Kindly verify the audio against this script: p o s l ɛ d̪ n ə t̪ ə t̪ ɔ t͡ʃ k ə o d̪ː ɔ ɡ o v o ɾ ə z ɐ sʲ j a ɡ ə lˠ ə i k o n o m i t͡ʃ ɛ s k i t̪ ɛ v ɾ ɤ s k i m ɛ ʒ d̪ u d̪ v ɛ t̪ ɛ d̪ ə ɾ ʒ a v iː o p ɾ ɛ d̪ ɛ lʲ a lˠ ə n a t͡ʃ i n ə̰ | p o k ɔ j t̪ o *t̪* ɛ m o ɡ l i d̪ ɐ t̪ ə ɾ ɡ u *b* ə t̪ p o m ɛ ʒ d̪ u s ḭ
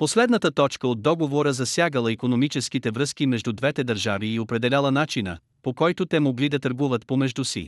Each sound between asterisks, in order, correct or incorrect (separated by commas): correct, incorrect